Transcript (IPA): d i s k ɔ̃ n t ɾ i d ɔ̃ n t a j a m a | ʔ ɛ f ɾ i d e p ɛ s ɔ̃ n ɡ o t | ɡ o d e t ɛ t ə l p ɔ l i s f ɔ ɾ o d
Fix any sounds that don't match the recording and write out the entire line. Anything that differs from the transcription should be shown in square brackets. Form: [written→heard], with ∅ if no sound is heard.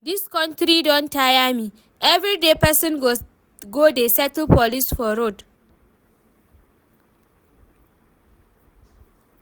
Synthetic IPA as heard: d i s k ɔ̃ n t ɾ i d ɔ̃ n t a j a m [a→i] | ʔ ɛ [f→v] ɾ i d e p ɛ s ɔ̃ n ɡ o [t→∅] | ɡ o d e [t→s] ɛ t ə l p ɔ l i s f ɔ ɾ o d